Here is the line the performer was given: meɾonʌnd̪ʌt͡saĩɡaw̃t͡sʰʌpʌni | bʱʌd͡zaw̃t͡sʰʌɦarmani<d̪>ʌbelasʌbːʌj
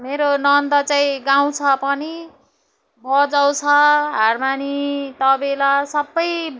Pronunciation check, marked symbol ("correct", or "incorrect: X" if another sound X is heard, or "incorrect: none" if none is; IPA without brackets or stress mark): incorrect: t̪